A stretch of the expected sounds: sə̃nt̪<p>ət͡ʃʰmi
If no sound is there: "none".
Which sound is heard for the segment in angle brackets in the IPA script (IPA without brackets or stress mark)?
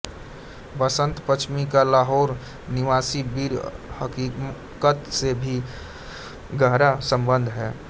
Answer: p